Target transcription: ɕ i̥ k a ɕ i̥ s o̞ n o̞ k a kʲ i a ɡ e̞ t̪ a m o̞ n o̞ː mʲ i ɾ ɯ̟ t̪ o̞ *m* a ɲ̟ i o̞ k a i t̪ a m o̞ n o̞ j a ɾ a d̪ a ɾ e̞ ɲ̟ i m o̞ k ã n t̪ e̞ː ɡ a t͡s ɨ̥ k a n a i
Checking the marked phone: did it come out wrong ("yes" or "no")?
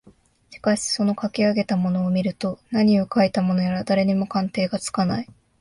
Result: yes